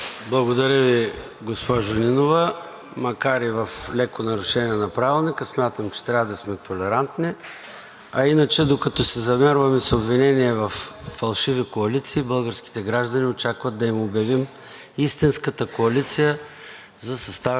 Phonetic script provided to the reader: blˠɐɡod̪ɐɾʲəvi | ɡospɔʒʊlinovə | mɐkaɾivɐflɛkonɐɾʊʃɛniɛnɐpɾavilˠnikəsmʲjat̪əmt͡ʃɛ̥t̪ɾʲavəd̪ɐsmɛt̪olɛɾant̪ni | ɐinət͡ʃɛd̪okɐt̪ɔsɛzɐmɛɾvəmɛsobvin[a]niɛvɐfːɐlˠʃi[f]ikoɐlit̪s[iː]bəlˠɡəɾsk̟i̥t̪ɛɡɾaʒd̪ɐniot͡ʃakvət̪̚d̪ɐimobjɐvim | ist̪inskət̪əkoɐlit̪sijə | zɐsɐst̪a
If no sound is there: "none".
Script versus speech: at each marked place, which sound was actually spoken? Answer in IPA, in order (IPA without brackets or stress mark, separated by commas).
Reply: ɛ, v, iː